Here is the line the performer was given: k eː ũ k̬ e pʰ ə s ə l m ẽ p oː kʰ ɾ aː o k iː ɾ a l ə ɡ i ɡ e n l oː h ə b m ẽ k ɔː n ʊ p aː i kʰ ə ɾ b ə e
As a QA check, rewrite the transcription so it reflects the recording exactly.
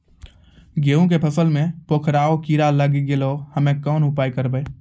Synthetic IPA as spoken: ɡ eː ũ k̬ e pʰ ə s ə l m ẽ p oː kʰ ɾ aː o k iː ɾ a l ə ɡ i ɡ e l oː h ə m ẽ k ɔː n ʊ p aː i k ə ɾ b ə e